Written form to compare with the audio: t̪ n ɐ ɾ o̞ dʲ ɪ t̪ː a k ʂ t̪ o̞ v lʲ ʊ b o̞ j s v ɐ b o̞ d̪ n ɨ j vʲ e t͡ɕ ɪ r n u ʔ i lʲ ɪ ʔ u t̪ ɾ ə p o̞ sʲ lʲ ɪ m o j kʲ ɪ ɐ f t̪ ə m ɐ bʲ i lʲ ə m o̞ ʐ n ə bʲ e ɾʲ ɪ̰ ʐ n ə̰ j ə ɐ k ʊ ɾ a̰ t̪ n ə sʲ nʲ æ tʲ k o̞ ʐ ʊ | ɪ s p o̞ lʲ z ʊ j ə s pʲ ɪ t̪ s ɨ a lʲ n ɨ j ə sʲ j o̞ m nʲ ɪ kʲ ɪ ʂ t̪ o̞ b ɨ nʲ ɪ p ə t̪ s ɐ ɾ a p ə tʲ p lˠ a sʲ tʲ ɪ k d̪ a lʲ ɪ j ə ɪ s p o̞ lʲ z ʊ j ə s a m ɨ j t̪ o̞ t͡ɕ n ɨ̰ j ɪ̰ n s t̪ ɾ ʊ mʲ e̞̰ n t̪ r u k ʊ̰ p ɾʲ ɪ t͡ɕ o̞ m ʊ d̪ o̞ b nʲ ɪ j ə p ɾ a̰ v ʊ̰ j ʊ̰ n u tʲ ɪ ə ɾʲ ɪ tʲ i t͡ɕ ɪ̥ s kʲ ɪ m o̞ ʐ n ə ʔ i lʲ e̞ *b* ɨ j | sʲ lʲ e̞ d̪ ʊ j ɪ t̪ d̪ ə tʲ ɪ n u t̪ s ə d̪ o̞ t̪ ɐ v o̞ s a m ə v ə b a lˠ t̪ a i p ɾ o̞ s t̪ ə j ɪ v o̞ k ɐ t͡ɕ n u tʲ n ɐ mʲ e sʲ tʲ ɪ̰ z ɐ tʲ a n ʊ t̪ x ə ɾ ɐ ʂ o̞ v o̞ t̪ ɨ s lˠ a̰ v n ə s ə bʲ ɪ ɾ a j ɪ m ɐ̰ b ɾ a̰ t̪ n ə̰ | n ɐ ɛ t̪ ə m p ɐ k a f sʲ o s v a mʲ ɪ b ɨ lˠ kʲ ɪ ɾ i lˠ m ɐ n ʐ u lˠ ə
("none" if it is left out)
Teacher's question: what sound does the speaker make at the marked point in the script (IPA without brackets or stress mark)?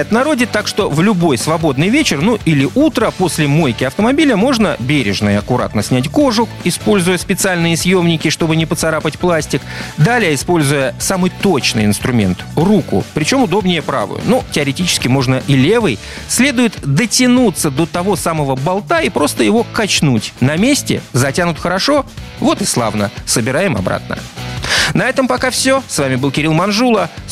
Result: v